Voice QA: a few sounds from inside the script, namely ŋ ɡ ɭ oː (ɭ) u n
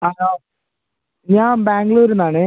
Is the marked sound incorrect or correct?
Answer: incorrect